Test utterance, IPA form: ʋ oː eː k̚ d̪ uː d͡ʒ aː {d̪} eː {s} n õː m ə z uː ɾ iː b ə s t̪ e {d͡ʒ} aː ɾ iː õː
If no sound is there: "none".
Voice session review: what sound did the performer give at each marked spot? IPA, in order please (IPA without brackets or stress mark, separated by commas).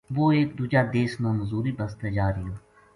d̪, s, d͡ʒ